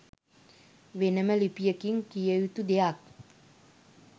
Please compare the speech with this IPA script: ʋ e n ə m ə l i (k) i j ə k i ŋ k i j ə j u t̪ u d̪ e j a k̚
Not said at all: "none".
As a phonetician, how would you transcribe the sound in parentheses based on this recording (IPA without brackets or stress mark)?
p